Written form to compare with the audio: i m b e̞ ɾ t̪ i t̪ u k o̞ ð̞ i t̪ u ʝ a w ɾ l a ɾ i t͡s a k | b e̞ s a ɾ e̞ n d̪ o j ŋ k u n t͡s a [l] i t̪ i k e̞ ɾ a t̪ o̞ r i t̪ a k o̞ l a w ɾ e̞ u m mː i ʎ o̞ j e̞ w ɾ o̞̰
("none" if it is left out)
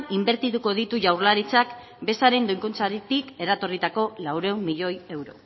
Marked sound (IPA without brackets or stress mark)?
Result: ɾ